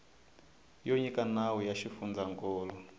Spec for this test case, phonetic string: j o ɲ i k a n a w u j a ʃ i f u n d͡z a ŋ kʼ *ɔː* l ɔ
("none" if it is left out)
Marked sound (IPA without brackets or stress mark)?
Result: ɔː